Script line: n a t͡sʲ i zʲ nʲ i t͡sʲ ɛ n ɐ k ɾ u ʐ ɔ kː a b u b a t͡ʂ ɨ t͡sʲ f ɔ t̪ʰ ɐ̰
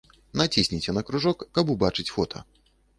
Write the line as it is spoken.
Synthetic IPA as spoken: n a t͡sʲ i sʲ nʲ i t͡sʲ ɛ n ɐ k ɾ u ʐ ɔ kː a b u b a t͡ʂ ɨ t͡sʲ f ɔ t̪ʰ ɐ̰